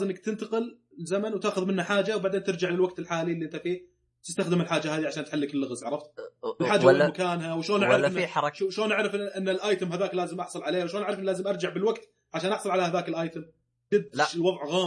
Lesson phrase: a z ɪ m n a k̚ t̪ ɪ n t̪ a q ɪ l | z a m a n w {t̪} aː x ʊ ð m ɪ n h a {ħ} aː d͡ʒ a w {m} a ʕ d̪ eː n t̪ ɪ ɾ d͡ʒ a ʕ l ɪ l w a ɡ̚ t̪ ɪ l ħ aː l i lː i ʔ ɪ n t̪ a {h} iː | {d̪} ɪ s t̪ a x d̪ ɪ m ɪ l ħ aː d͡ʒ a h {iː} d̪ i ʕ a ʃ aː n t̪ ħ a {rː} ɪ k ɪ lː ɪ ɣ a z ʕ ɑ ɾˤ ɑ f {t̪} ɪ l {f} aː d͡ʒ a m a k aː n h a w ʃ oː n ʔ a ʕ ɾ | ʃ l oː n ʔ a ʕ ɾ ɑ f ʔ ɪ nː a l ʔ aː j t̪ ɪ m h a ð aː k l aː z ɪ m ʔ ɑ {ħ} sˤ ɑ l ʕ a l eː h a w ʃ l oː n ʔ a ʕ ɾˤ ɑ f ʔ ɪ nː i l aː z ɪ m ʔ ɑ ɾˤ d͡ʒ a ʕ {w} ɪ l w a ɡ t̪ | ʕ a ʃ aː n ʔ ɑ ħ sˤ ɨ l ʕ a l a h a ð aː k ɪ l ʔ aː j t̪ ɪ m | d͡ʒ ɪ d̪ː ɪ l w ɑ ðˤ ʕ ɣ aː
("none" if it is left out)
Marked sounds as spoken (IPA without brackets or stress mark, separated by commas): t̪, ħ, b, f, t̪, aː, lː, t̪, ħ, ħ, b